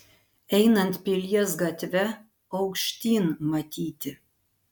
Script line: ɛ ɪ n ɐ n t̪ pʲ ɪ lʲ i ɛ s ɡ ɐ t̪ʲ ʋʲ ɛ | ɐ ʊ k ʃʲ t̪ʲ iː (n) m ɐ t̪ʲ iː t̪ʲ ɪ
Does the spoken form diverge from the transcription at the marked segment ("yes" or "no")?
no